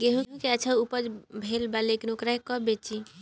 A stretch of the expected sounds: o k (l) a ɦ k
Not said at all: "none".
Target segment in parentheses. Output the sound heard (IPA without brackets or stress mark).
ɾ